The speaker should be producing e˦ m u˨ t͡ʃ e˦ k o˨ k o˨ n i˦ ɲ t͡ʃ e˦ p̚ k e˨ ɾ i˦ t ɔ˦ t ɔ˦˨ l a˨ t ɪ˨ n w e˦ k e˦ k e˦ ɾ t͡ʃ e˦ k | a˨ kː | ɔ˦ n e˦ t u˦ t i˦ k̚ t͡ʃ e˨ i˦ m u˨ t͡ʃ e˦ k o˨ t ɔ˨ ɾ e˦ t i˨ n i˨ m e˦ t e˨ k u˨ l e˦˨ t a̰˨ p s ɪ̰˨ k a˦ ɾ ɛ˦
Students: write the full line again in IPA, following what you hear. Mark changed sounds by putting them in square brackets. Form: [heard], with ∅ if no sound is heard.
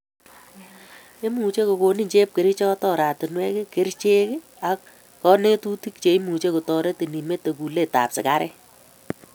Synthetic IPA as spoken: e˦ m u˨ t͡ʃ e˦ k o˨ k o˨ n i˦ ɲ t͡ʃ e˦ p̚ k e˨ ɾ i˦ [t͡ʃ] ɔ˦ t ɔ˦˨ [ɾ] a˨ t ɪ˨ n w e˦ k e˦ k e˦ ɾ t͡ʃ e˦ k | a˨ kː | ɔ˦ n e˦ t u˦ t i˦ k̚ t͡ʃ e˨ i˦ m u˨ t͡ʃ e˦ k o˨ t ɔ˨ ɾ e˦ t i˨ n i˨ m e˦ t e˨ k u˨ l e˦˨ t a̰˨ p s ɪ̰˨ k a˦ ɾ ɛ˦